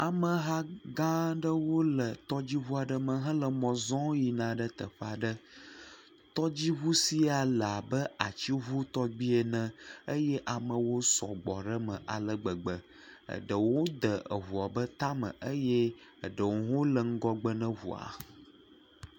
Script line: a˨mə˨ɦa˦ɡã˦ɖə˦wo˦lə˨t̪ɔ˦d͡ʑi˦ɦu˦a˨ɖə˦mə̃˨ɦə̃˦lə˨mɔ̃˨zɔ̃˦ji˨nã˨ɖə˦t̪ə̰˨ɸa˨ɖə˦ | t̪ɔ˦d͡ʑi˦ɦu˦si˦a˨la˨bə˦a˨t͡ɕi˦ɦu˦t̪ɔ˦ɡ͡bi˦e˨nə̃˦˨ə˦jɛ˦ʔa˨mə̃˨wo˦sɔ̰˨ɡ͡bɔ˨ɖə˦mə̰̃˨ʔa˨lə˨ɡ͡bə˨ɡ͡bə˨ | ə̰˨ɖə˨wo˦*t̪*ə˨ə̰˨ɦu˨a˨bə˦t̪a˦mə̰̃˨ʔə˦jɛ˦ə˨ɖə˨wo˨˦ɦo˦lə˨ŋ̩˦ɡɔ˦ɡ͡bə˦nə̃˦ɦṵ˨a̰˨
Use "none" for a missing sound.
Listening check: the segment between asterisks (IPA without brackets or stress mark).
d̪